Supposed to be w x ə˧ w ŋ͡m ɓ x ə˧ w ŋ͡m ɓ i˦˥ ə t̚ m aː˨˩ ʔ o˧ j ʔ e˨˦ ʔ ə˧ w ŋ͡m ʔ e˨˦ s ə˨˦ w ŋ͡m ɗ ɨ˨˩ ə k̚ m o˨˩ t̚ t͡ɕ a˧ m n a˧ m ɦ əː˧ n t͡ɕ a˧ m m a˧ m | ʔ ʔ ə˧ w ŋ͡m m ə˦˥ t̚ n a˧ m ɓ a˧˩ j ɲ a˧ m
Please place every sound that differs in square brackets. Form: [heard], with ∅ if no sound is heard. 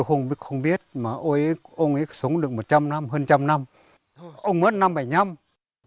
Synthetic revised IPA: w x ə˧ w ŋ͡m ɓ x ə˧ w ŋ͡m ɓ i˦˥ ə t̚ m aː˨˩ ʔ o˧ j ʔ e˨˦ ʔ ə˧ w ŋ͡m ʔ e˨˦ s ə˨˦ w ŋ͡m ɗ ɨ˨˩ ə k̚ m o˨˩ t̚ t͡ɕ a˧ m n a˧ m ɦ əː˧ n t͡ɕ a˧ m [n] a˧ m | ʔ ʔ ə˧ w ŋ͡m m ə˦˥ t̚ n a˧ m ɓ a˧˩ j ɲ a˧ m